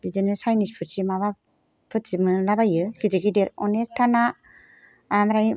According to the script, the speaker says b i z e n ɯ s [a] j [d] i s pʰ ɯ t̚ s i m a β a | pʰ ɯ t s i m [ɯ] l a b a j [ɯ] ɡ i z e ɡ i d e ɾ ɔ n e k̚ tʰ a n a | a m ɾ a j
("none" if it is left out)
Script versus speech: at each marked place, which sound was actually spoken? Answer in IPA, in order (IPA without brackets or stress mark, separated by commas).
a, n, ɯ, ɯ